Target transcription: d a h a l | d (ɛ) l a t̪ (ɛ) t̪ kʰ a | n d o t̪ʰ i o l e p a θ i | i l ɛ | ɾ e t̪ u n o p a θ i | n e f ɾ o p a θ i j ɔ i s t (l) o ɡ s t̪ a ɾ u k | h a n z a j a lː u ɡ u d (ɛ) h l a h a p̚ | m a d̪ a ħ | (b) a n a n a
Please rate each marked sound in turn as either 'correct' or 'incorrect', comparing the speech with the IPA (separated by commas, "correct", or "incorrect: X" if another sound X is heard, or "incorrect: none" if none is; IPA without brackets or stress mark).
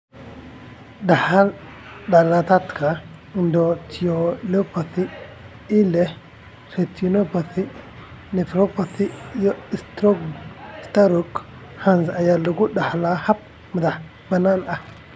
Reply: incorrect: a, incorrect: a, incorrect: ɾ, incorrect: a, correct